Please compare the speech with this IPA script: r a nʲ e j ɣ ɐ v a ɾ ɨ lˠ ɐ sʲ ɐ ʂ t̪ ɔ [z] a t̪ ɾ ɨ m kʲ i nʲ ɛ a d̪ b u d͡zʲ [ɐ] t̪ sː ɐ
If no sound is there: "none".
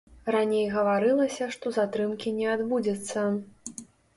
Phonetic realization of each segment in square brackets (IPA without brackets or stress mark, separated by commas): z, ɐ